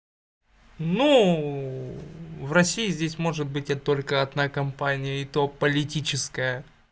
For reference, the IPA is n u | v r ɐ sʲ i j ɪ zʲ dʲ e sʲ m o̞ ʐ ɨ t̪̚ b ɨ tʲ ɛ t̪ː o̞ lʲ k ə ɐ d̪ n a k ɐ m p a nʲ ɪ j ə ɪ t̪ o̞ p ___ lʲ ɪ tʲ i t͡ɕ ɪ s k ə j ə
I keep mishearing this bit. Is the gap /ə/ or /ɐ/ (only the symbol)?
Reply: ə